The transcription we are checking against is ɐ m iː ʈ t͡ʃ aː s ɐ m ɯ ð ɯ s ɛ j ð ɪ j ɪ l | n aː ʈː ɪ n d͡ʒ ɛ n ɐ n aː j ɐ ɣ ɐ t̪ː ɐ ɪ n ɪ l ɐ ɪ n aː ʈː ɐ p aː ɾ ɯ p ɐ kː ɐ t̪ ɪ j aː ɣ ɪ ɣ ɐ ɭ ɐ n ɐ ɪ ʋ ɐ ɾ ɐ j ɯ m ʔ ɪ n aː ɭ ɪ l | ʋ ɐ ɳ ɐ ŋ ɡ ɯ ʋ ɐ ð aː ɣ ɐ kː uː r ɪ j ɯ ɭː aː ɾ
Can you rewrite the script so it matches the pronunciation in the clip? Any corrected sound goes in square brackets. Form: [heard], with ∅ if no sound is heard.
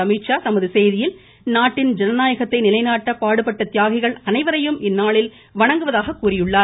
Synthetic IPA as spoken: ɐ m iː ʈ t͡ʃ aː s ɐ m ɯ ð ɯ s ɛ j ð ɪ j ɪ l | n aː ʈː ɪ n d͡ʒ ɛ n ɐ n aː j ɐ ɣ ɐ t̪ː ɐ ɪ n ɪ l ɐ ɪ n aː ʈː ɐ p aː [ɽ] ɯ p ɐ [ʈː] ɐ t̪ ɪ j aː ɣ ɪ ɣ ɐ ɭ ɐ n ɐ ɪ ʋ ɐ ɾ ɐ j ɯ m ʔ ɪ [nː] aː ɭ ɪ l | ʋ ɐ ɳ ɐ ŋ ɡ ɯ ʋ ɐ ð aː ɣ ɐ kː uː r ɪ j ɯ ɭː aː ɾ